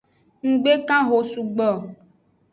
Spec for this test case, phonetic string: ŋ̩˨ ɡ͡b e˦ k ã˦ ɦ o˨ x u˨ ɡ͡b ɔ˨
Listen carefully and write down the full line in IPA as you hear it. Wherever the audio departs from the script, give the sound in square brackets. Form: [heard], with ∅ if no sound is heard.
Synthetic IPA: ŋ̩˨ ɡ͡b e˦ k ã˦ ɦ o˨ [s] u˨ ɡ͡b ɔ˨